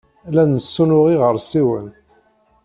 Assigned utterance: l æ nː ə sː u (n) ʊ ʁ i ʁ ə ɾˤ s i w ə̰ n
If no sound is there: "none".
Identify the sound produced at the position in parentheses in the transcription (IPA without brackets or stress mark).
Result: n